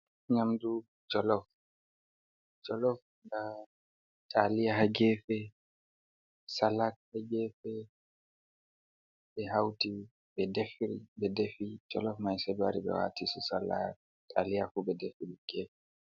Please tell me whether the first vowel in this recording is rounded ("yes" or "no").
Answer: no